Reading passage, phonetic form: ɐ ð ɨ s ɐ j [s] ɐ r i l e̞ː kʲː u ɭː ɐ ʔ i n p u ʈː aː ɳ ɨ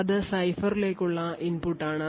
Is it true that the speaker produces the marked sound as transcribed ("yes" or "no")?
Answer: no